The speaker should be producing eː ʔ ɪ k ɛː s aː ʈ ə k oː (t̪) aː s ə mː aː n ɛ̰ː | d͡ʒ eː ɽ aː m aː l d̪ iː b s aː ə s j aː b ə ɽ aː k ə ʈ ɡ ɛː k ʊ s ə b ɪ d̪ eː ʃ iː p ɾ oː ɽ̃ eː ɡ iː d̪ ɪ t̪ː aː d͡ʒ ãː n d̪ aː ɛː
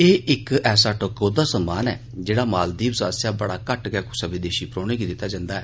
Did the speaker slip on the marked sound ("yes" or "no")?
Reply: yes